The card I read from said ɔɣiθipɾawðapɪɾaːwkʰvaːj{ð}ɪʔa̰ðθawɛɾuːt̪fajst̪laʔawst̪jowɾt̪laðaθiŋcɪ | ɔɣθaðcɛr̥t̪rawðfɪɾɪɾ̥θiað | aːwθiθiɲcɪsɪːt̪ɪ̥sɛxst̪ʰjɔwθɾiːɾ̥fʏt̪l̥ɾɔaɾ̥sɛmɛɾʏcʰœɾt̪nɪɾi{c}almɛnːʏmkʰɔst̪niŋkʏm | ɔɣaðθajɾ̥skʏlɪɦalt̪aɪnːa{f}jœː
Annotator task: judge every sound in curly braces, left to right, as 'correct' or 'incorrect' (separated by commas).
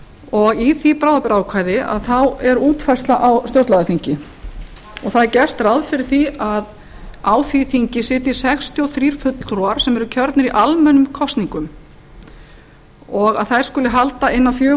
correct, incorrect, correct